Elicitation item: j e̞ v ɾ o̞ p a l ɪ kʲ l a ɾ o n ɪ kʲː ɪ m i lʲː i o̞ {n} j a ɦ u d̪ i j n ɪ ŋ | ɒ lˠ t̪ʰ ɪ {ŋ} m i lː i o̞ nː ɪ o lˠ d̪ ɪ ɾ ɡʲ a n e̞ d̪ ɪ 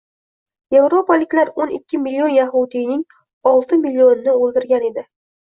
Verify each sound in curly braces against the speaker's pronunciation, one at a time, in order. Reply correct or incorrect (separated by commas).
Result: correct, incorrect